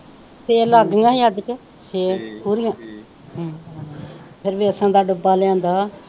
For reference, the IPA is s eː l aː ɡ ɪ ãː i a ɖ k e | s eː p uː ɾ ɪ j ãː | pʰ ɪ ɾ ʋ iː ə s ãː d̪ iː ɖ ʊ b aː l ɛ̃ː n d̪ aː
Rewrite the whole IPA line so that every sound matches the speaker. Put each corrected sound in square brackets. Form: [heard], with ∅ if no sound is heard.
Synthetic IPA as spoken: s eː l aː ɡ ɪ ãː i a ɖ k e | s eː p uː ɾ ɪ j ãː | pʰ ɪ ɾ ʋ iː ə s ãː d̪ [aː] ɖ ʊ b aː l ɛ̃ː n d̪ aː